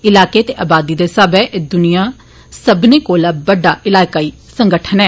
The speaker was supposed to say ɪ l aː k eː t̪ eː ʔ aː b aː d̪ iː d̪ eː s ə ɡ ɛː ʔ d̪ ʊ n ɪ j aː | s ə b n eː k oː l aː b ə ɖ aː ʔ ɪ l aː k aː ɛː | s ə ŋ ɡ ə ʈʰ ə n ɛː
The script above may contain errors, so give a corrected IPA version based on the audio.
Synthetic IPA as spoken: ɪ l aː k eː t̪ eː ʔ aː b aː d̪ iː d̪ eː s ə b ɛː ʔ d̪ ʊ n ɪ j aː | s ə b n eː k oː l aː b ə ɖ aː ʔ ɪ l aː k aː iː | s ə ŋ ɡ ə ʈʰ ə n ɛː